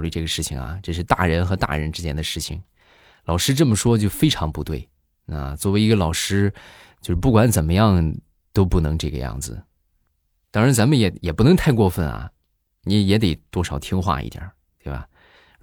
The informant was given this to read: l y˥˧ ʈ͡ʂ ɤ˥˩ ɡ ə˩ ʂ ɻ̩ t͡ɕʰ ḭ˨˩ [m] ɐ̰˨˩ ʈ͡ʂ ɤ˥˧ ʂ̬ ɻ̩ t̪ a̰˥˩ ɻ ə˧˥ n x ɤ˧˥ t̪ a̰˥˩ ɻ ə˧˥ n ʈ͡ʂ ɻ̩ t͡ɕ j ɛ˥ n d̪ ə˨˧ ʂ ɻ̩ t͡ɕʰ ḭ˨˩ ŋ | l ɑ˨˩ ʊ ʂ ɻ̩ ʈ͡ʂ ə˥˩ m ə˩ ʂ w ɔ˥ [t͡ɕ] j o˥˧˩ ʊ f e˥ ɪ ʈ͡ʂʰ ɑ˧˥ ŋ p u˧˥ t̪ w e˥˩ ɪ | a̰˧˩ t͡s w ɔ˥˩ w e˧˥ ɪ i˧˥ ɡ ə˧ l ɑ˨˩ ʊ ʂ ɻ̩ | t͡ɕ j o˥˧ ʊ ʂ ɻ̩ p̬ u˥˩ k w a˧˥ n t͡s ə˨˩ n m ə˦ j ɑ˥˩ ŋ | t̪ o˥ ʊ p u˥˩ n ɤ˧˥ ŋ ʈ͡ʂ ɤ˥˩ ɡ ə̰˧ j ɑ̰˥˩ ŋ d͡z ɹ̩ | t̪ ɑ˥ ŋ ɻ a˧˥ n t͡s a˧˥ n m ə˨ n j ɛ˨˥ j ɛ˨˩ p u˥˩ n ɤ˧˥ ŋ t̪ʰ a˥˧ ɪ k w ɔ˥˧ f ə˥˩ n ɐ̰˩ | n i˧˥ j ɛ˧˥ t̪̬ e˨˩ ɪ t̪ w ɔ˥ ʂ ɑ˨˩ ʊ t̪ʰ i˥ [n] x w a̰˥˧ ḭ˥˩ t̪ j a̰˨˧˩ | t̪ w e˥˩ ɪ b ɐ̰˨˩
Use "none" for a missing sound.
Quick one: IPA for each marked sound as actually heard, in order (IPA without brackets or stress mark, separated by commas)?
ŋ, t͡ɕ, ŋ